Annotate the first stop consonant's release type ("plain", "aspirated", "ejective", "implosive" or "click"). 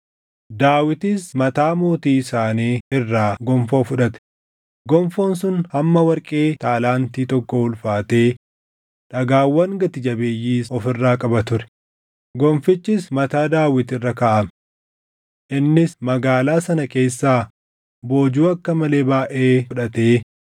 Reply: plain